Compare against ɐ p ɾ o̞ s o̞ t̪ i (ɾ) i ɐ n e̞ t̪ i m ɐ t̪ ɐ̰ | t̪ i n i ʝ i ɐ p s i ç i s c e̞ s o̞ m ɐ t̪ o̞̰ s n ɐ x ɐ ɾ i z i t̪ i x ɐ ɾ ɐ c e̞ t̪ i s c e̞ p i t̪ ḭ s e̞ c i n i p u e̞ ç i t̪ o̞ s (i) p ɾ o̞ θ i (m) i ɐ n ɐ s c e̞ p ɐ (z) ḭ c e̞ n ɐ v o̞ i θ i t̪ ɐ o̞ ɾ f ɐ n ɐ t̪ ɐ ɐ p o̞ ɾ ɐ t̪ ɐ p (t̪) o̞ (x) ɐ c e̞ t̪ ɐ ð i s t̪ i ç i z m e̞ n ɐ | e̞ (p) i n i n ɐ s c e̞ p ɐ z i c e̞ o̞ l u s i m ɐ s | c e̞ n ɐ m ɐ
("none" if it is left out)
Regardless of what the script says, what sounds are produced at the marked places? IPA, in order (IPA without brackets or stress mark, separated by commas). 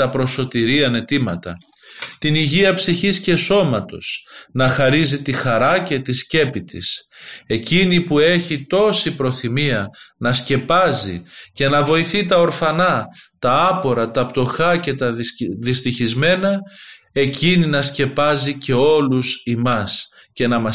ɾ, i, m, z, t̪, x, c